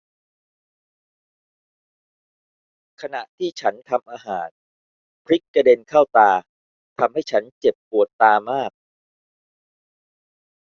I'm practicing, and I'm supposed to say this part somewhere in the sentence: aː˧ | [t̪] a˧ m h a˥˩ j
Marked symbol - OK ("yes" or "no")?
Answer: no